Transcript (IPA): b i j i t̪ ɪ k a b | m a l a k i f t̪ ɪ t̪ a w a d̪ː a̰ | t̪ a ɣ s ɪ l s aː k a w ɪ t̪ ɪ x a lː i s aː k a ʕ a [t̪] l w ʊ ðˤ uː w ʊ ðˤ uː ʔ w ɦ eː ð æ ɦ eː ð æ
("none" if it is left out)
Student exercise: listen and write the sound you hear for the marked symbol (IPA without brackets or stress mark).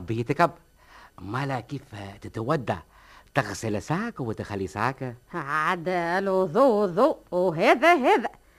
d̪